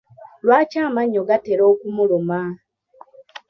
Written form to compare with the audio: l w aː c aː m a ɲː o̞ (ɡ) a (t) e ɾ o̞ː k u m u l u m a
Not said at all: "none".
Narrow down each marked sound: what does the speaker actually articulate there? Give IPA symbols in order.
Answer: ɡ, t

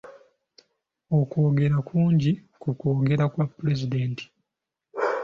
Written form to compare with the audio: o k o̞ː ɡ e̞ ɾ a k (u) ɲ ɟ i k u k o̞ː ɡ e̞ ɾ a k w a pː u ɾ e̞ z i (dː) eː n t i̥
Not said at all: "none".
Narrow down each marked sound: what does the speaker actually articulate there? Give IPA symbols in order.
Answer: uː, d

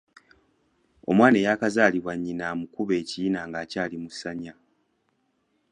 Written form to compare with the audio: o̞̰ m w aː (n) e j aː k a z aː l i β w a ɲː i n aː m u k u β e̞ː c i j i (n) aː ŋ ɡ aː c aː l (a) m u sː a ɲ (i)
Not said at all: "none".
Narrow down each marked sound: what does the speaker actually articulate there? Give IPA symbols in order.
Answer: n, n, i, a

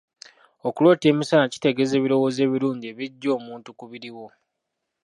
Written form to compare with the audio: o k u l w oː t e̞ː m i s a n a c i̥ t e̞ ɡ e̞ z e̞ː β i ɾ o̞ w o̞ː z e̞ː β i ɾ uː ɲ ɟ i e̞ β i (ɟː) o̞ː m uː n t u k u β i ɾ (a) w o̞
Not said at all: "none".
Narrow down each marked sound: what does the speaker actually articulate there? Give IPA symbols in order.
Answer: ɟː, i

